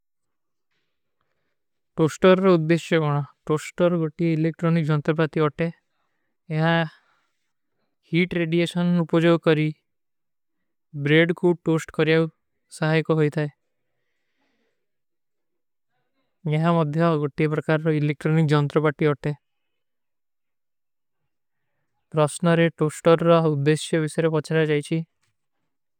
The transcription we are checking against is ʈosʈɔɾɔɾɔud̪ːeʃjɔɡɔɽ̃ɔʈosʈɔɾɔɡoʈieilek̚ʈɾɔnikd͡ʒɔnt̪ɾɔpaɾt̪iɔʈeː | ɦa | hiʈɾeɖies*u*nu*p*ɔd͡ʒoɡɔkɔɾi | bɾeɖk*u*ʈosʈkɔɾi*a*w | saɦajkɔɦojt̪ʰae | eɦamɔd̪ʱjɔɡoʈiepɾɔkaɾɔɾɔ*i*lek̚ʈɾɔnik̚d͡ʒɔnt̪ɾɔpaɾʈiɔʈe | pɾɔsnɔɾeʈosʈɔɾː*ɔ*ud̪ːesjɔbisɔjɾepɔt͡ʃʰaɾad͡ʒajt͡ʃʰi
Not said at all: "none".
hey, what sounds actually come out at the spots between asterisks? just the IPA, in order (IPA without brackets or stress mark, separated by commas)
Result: ɔ, p, u, a, i, ɔ